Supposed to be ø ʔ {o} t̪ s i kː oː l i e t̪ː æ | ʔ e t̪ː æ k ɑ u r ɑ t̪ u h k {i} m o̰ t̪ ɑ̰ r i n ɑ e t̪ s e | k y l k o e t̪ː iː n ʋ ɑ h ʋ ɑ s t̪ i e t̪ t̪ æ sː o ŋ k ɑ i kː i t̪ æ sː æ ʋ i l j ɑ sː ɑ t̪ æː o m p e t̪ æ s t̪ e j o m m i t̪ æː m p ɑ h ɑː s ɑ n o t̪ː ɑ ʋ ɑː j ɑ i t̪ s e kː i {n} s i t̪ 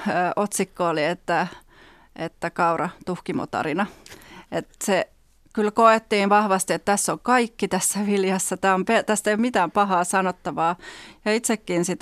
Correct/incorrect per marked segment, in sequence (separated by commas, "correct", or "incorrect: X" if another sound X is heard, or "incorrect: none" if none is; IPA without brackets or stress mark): correct, correct, correct